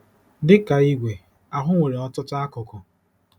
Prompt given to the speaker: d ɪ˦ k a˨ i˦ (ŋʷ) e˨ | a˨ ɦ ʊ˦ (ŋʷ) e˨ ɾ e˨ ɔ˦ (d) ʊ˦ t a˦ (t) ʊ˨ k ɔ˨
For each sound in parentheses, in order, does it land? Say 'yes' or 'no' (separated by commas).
no, yes, no, no